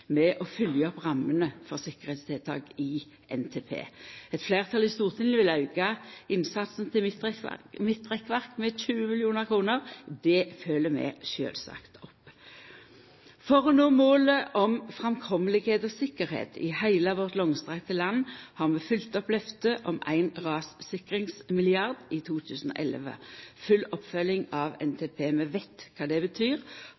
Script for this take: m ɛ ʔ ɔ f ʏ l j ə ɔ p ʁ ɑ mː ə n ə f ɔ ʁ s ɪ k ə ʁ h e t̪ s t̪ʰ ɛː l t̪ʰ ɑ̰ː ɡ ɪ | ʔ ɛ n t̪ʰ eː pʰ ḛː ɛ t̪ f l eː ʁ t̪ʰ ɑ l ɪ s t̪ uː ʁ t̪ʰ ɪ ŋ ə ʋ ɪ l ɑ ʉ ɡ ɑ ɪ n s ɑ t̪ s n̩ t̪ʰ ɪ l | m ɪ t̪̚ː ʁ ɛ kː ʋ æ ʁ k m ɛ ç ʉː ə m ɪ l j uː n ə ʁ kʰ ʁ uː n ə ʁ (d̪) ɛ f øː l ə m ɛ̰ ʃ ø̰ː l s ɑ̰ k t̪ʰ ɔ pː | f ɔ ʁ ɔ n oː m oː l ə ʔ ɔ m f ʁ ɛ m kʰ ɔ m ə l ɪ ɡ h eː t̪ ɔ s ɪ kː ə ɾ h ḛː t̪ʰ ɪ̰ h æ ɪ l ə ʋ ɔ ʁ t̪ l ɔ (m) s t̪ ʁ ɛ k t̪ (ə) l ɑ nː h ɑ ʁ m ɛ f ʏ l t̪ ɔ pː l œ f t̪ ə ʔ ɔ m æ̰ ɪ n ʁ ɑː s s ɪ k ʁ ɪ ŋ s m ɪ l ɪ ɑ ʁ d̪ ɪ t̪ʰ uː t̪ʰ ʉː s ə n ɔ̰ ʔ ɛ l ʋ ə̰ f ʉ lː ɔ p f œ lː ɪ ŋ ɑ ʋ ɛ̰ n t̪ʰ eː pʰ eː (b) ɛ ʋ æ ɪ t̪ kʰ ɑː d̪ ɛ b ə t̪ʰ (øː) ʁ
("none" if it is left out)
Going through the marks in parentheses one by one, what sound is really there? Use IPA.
d̪, ŋ, ə, m, yː

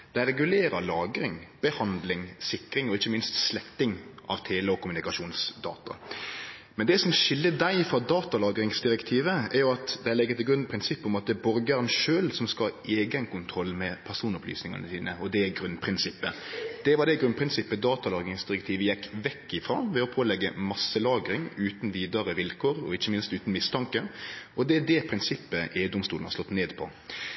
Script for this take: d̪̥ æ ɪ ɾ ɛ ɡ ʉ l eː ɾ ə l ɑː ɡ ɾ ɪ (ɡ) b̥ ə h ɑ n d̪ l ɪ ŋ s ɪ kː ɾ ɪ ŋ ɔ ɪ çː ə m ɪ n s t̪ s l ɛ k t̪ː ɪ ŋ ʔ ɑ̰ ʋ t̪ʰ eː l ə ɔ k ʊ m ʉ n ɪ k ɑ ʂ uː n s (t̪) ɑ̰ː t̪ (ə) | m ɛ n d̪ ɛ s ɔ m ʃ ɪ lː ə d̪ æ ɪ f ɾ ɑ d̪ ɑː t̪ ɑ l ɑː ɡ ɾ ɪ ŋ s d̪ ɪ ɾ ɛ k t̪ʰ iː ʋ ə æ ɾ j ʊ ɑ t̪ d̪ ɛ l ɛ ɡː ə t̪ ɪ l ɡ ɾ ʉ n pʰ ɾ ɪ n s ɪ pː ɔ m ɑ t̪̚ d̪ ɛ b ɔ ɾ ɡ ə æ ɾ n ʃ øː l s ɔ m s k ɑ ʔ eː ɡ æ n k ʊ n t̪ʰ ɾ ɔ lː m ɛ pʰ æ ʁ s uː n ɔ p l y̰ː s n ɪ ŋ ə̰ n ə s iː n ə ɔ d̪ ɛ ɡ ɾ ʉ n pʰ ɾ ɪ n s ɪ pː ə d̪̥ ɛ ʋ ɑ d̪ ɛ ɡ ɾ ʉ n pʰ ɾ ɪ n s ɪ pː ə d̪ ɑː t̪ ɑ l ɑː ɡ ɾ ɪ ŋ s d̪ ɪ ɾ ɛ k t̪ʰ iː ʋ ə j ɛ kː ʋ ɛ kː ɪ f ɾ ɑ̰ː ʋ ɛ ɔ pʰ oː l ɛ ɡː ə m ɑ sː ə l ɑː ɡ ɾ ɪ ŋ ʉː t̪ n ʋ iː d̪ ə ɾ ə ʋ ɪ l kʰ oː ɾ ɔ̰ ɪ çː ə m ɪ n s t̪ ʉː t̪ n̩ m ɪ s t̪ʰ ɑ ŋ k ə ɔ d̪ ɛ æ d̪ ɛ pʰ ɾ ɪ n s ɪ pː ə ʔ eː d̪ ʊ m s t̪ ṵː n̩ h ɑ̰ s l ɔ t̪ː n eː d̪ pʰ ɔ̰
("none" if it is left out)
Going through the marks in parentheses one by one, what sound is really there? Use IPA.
ŋ, d̪, ɑ

